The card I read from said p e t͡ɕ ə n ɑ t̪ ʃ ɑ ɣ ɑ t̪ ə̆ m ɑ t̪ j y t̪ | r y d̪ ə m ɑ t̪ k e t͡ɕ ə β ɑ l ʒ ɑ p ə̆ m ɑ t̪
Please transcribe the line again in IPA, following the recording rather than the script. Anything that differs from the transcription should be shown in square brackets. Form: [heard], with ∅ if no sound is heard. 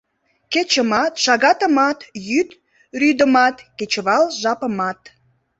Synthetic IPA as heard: [k] e t͡ɕ ə [m] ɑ t̪ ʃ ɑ ɣ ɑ t̪ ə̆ m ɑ t̪ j y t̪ | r y d̪ ə m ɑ t̪ k e t͡ɕ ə β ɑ l ʒ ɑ p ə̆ m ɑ t̪

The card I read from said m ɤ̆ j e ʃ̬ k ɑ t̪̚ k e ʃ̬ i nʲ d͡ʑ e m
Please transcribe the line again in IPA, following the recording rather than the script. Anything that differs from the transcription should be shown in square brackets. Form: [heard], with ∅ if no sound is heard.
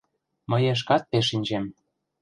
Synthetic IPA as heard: m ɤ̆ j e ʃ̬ k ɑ t̪̚ [p] e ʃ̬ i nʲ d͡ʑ e m

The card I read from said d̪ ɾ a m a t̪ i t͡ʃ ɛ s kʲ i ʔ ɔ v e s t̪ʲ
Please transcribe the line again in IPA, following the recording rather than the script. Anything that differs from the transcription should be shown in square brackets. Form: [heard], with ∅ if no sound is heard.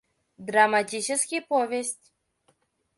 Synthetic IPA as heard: d̪ ɾ a m a t̪ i t͡ʃ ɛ s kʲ i [p] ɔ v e s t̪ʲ

